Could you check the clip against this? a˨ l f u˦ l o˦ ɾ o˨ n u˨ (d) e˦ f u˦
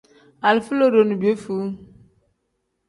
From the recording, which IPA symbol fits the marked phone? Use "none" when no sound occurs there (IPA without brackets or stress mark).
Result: b